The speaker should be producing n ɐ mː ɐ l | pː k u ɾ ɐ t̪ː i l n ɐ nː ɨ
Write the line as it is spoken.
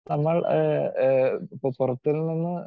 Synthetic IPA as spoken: n ɐ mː ɐ ɭ | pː p u r ɐ t̪ː i l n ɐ nː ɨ

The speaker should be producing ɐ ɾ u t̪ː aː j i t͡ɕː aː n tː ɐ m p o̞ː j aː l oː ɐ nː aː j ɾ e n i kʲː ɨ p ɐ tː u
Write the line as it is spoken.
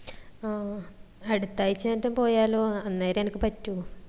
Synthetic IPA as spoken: ɐ ɽ u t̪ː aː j i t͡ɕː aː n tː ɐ m p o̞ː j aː l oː ɐ nː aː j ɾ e n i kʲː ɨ p ɐ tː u

